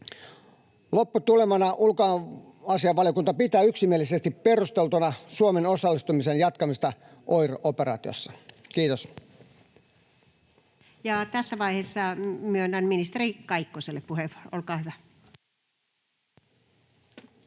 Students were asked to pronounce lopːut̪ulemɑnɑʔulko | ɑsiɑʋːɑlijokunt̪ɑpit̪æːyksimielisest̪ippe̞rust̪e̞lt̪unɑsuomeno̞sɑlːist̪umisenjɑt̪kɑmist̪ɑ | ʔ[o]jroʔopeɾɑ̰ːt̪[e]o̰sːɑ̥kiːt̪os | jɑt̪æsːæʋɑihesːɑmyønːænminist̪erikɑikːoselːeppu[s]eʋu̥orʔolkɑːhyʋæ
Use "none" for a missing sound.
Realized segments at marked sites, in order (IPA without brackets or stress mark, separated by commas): o, i, h